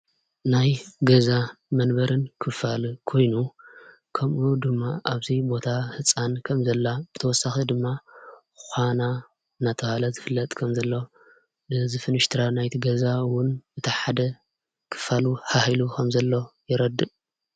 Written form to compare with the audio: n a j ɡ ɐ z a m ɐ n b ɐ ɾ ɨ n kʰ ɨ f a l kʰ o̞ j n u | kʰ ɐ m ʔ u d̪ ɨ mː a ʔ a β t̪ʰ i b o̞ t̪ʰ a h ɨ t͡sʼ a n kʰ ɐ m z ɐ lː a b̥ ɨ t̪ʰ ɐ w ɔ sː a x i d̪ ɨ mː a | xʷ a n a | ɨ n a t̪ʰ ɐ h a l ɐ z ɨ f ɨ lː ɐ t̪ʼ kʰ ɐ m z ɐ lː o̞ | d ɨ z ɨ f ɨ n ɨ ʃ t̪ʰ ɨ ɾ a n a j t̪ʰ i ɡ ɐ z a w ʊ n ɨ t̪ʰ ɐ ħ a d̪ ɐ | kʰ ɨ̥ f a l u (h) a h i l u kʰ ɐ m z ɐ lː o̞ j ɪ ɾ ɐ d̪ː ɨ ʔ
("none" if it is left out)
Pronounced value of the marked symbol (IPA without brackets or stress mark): h